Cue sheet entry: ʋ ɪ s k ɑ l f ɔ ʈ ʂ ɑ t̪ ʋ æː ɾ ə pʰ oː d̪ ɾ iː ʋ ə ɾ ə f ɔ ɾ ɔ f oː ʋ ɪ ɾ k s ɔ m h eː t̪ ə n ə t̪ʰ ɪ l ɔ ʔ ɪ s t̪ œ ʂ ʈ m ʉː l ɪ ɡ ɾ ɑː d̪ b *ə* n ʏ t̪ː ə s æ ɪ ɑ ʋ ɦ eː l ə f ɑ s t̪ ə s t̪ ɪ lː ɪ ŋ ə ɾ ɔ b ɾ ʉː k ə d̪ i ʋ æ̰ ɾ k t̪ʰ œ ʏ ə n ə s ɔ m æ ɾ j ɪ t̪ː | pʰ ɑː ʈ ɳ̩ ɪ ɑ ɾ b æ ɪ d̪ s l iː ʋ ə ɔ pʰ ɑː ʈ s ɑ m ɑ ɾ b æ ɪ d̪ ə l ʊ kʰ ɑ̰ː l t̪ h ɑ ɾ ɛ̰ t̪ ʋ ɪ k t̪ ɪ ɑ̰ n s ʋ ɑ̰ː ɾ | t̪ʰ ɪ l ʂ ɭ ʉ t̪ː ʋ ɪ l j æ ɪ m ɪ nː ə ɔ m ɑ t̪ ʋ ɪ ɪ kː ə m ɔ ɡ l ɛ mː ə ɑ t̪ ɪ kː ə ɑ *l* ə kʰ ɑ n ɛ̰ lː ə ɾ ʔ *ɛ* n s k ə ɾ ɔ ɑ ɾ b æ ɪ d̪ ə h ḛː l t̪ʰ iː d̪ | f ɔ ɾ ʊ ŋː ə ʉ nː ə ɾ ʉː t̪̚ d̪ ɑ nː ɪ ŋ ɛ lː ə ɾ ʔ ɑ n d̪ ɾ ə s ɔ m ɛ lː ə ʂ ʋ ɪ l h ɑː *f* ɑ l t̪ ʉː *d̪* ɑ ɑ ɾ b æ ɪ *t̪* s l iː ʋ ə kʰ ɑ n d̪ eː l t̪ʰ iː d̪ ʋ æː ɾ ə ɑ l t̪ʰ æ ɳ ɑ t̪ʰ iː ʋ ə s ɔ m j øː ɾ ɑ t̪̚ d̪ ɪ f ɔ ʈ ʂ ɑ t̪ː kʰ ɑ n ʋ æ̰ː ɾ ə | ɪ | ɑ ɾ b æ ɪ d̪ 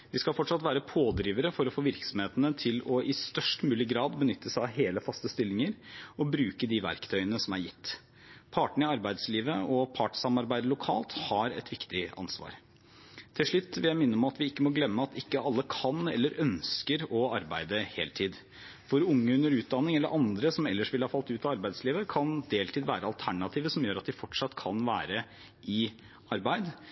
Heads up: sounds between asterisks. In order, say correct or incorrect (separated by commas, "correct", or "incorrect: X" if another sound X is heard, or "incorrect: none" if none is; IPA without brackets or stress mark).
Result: correct, incorrect: lː, incorrect: œ, correct, incorrect: t̪, incorrect: d̪